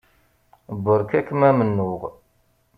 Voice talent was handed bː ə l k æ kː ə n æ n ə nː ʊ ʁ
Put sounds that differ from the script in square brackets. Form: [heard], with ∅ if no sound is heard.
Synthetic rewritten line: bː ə [ɾ] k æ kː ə [m] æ [m] ə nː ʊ ʁ